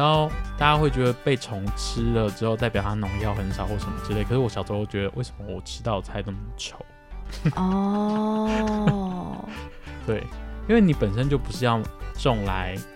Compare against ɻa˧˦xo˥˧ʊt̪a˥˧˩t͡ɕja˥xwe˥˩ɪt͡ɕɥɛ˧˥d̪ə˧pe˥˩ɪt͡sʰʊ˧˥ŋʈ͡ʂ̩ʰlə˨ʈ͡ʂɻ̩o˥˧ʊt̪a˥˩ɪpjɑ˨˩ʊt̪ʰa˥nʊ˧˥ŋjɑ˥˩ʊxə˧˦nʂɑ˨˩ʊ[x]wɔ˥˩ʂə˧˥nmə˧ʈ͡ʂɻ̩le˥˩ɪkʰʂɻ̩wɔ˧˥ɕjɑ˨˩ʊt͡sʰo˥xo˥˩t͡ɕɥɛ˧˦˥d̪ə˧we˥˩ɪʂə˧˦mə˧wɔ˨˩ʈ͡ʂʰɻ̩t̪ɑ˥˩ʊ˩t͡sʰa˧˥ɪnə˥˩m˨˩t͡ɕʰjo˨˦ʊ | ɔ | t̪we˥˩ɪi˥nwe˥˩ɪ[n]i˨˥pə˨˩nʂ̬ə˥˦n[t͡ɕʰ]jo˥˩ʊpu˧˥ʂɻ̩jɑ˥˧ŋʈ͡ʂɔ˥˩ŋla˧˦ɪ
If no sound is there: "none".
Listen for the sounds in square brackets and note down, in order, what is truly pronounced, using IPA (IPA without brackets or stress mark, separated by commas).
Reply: x, n, t͡ɕ